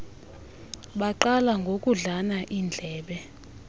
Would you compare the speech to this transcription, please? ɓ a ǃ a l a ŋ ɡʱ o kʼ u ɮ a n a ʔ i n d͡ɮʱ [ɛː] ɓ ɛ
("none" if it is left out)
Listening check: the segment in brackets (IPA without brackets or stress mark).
ɛː